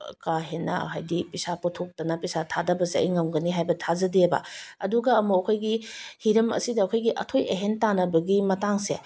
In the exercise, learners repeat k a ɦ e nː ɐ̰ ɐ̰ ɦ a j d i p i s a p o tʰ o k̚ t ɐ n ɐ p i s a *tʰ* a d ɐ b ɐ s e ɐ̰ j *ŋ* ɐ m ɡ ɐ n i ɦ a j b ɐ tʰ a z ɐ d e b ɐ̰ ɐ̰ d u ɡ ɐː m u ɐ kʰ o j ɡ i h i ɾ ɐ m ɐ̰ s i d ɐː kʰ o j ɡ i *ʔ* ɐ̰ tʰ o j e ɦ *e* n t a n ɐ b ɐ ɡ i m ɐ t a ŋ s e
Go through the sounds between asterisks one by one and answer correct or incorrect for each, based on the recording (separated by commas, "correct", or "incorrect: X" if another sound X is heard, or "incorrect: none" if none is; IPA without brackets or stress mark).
correct, correct, correct, correct